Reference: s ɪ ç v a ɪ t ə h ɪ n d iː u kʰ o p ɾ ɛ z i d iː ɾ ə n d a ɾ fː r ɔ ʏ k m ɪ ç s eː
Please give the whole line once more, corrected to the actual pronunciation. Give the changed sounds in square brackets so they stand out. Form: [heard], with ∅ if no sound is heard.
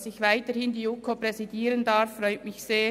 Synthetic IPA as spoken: s ɪ ç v a ɪ t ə h ɪ n d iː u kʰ o p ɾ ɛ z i d iː ɾ ə n d a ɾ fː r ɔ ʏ [t] m ɪ ç s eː